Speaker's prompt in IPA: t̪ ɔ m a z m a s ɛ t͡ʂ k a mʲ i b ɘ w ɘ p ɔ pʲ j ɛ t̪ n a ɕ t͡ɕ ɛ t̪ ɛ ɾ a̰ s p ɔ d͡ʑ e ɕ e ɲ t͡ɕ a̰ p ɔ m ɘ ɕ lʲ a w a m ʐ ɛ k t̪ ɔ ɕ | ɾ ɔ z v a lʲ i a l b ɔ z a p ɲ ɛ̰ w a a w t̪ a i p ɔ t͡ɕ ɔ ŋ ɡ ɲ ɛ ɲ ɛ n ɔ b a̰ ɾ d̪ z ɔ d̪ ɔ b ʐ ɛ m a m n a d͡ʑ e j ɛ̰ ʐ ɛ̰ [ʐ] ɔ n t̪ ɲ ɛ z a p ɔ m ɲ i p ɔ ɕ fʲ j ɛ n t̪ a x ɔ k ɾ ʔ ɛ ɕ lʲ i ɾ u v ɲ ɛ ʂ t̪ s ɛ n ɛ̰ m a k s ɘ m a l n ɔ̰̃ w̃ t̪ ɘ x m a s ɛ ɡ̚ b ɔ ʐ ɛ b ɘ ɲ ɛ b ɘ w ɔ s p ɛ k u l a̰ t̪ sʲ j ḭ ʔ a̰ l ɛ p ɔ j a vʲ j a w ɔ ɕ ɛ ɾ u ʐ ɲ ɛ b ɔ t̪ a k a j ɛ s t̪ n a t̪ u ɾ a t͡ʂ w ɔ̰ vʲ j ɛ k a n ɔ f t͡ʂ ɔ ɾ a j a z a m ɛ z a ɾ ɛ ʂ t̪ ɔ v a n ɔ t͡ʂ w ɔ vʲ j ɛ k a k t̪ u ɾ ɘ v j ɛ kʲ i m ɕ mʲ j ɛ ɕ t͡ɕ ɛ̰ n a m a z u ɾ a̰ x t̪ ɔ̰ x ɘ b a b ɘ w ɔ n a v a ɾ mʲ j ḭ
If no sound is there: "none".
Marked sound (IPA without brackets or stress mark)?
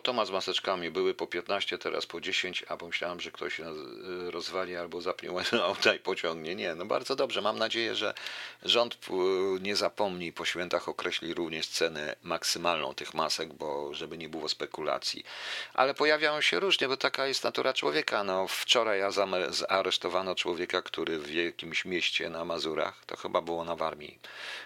ʐ